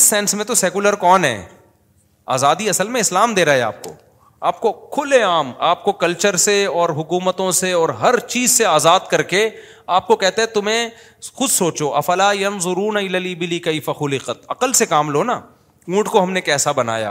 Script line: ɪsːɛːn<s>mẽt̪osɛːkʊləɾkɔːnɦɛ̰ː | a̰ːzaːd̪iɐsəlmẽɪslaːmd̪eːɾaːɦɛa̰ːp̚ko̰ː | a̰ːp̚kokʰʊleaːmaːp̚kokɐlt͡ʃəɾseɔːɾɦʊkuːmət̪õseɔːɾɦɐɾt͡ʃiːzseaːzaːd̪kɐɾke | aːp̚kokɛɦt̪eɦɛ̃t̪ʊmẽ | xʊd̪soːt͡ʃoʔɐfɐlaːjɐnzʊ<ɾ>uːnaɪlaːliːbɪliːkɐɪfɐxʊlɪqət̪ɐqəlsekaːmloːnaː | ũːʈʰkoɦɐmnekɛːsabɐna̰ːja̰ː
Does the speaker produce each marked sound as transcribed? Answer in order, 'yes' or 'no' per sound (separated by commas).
yes, yes